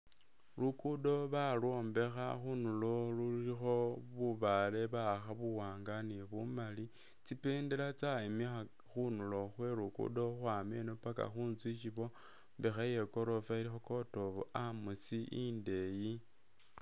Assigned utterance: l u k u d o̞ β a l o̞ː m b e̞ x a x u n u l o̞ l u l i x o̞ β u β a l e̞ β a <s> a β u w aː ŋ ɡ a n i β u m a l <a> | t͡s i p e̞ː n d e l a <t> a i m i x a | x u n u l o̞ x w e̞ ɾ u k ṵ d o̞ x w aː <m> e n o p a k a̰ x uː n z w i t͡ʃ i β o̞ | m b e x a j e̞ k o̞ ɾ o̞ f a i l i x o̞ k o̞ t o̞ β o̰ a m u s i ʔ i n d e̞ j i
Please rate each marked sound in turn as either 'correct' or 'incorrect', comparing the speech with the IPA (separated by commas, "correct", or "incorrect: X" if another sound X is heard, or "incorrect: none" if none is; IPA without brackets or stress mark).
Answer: incorrect: x, incorrect: i, incorrect: t͡s, correct